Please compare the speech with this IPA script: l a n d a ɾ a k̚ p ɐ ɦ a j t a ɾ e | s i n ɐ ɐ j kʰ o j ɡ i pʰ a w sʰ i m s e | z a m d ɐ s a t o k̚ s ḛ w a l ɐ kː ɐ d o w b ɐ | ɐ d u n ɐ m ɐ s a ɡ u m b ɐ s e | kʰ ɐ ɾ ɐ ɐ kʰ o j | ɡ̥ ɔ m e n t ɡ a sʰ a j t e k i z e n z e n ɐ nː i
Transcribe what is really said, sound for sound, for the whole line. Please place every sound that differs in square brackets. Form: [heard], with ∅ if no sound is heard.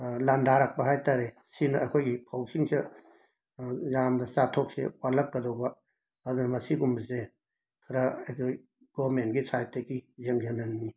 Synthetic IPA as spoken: l a n d a ɾ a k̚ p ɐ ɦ a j t a ɾ e | s i n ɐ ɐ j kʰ o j ɡ i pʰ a w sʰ i [ŋ] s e | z a m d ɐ s a [tʰ] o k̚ s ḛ w a l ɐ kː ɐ d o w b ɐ | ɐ d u n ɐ m ɐ s [i] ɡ u m b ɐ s e | kʰ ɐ ɾ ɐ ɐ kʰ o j | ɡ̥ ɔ m e n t ɡ [i] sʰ a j t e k i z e [ŋ] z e n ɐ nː i